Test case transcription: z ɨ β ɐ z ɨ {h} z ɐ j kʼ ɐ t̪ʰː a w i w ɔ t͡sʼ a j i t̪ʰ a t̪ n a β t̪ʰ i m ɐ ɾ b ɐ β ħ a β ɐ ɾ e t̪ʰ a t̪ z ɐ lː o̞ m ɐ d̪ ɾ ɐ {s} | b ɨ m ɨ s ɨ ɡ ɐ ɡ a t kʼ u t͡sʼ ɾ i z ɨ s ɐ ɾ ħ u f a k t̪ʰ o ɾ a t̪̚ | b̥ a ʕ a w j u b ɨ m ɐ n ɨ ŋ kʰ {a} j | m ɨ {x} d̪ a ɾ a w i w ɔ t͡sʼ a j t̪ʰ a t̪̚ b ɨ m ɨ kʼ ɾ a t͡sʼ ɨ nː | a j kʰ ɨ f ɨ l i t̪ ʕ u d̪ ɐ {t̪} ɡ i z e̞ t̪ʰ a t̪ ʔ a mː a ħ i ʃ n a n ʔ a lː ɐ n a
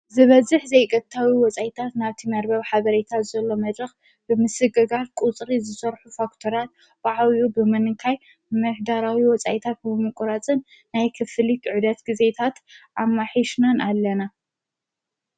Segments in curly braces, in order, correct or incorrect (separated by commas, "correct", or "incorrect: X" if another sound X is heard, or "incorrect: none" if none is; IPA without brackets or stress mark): incorrect: ħ, incorrect: x, correct, incorrect: ħ, correct